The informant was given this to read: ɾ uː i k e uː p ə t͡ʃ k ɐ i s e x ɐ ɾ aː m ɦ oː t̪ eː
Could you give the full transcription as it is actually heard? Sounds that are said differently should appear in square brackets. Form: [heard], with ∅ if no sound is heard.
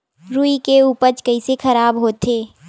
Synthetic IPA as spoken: ɾ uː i k e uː p ə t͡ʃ k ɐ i s e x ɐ ɾ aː [b] ɦ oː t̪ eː